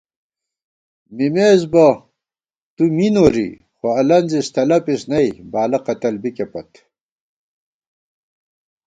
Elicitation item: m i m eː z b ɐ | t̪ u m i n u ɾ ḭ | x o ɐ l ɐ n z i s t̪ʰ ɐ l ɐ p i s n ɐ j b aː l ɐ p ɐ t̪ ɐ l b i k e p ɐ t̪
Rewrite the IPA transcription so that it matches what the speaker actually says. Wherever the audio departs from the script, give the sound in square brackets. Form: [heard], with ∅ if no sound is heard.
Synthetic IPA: m i m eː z b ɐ | t̪ u m i n [o] ɾ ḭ | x o ɐ l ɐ n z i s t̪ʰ ɐ l ɐ p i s n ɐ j b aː l ɐ [q] ɐ t̪ ɐ l b i k e p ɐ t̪